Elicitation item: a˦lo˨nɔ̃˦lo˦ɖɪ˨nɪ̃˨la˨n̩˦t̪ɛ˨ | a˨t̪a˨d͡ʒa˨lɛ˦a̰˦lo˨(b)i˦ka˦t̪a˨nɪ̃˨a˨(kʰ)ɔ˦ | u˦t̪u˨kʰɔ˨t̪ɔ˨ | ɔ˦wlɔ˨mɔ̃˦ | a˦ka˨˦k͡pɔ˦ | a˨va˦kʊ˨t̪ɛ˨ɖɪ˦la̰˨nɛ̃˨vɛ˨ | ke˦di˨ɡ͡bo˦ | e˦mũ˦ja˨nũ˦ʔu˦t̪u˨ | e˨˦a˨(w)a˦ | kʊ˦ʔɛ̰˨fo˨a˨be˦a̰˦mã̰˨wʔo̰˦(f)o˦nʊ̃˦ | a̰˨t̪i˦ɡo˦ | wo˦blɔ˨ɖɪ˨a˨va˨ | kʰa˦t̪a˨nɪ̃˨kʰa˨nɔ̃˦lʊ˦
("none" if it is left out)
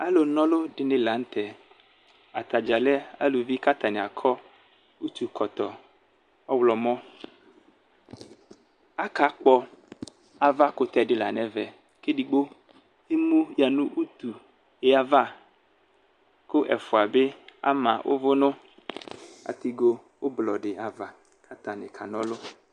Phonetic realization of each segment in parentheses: v, kʰ, v, v

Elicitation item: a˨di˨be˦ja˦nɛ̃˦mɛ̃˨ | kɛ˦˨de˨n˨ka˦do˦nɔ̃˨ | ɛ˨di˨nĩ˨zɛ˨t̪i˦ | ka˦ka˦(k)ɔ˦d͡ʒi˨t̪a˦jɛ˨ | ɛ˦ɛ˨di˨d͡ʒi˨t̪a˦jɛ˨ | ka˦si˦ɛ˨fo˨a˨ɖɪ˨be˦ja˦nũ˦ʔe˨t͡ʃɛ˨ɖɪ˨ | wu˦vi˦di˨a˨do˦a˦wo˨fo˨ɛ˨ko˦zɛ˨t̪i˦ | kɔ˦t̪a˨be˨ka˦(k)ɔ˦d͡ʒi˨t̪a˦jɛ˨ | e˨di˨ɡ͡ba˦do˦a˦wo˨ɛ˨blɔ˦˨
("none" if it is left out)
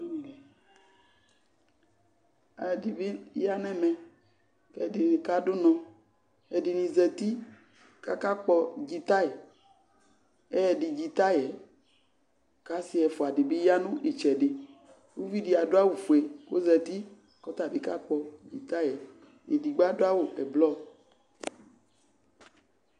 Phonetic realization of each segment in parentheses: k͡p, k͡p

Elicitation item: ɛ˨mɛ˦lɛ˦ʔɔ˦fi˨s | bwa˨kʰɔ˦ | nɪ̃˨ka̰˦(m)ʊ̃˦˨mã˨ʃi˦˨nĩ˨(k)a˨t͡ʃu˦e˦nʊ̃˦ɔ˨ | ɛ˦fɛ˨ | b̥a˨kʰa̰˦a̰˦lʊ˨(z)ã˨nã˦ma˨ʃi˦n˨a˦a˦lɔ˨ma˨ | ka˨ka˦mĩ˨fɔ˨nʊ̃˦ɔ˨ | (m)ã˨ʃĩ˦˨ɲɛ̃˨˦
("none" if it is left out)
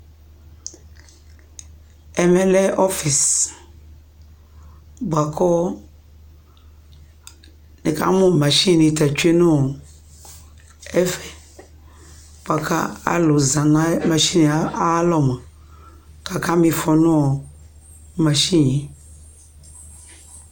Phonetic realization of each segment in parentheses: m, t, z, m

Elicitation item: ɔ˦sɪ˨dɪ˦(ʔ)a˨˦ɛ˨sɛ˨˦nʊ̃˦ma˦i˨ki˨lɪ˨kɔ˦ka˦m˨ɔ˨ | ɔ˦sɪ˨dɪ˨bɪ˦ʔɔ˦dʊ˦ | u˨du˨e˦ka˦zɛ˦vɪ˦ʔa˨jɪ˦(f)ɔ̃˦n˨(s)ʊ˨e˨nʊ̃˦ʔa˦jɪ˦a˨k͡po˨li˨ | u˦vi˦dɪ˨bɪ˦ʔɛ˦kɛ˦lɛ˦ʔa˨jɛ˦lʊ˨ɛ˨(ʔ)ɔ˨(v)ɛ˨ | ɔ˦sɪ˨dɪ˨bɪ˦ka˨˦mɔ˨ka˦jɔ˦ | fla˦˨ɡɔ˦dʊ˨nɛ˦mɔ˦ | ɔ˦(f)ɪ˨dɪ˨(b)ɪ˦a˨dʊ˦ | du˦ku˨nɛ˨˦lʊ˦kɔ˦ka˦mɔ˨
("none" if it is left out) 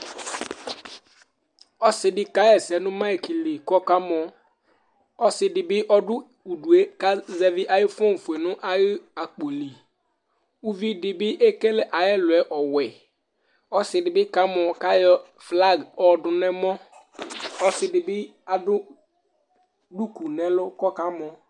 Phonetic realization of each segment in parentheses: k, f, f, ʔ, w, s, b

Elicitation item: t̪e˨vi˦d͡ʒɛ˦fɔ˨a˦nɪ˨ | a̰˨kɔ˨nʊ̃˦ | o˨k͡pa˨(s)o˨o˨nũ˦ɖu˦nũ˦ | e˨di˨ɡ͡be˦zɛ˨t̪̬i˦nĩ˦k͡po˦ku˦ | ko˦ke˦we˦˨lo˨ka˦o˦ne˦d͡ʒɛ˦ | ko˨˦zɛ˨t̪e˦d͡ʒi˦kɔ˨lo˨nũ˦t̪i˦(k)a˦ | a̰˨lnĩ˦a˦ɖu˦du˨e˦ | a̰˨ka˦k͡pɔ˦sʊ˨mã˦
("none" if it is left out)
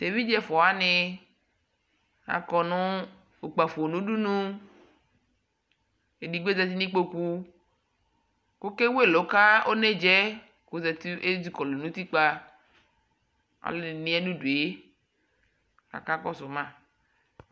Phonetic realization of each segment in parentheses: f, k͡p

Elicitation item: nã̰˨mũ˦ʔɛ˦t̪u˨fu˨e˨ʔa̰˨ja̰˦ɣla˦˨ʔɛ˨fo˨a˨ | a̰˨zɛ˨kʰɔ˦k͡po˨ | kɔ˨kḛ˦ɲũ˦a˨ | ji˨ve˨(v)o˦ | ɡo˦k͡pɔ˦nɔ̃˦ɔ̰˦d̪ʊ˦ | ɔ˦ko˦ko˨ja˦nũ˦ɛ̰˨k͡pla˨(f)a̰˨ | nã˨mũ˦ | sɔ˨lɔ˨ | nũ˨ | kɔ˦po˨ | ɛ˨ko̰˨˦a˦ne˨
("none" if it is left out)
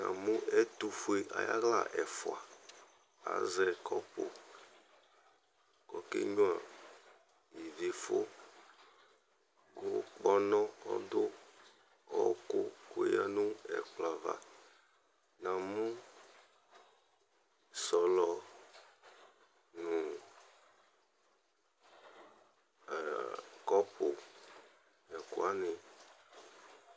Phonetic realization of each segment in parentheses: f, v

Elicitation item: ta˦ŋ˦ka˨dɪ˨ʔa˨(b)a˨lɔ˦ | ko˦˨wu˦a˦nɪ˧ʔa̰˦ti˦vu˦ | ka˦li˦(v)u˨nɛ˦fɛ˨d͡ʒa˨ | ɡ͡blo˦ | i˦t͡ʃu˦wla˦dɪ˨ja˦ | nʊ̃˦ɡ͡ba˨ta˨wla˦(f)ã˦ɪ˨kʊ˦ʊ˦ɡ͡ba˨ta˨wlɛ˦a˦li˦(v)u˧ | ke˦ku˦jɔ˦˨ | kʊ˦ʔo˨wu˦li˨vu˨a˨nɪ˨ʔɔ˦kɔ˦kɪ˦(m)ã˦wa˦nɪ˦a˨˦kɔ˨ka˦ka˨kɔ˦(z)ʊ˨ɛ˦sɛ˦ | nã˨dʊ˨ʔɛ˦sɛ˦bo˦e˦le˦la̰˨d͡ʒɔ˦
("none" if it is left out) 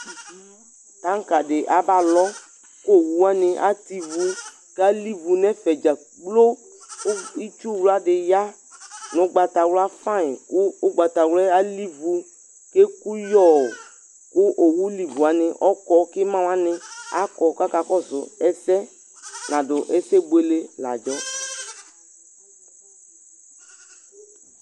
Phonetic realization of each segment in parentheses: b, v, f, v, m, z

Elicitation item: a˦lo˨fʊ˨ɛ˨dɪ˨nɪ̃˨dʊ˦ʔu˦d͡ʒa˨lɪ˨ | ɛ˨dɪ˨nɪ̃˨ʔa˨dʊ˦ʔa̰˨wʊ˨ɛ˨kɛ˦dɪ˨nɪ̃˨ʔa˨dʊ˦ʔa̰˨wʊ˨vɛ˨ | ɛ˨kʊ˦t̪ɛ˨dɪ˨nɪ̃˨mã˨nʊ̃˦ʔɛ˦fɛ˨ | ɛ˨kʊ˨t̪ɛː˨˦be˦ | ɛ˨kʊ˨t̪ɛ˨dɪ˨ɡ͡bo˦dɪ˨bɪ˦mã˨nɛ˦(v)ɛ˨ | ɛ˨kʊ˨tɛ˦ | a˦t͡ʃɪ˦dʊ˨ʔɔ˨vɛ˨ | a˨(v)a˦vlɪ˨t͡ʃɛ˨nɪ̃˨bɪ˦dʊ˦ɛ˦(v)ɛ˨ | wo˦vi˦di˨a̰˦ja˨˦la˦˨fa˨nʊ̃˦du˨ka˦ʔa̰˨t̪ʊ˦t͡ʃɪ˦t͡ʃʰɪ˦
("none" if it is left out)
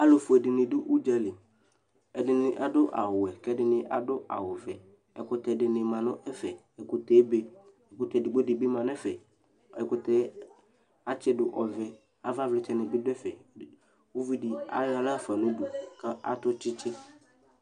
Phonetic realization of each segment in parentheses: f, v, f

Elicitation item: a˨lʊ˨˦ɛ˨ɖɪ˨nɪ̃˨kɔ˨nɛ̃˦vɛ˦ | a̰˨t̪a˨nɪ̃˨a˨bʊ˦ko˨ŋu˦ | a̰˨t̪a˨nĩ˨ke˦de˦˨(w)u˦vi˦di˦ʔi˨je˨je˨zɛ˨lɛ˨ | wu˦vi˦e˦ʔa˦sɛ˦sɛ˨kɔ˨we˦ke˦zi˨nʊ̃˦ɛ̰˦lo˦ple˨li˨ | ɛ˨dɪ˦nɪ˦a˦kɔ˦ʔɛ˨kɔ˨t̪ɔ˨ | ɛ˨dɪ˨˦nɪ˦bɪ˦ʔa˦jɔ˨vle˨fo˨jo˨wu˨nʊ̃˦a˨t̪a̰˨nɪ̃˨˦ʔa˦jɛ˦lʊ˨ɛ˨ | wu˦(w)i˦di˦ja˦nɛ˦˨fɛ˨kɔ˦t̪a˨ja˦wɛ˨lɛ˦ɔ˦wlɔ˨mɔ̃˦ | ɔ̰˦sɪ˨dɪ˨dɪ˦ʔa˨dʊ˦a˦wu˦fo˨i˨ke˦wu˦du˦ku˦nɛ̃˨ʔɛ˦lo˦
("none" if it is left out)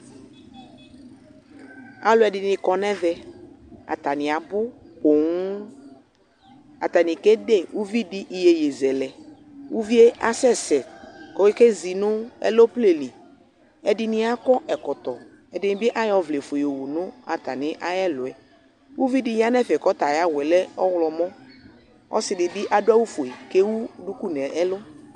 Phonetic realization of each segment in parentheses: w, v

